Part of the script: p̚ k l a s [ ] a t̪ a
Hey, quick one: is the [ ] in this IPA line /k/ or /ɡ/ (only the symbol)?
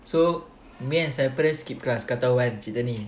k